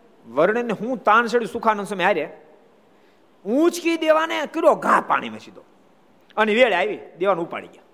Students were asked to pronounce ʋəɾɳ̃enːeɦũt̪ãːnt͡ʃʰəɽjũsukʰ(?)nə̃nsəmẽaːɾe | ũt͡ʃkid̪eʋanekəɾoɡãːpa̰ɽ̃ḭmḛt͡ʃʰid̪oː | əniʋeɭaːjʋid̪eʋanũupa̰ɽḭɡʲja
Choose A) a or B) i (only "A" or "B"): A